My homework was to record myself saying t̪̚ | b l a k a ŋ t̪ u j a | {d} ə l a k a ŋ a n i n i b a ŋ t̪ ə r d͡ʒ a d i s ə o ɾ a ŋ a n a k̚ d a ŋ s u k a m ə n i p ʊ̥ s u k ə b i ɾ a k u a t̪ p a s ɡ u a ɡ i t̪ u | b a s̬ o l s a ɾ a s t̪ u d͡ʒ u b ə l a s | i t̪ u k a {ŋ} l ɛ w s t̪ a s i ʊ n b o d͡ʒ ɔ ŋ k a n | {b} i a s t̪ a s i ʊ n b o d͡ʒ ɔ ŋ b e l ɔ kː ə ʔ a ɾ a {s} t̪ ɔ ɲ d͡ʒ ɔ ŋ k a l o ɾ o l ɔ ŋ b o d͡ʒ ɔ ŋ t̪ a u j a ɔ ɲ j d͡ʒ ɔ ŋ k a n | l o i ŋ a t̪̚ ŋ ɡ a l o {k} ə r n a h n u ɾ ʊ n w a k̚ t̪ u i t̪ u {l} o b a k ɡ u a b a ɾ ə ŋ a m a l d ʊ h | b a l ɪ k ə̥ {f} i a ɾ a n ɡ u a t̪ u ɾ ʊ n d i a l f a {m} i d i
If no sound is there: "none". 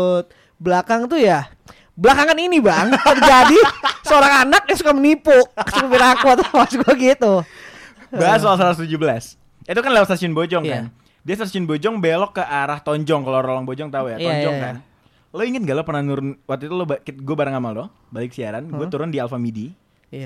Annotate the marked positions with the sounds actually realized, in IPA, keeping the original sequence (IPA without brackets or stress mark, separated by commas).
b, n, d, h, p, l, s, m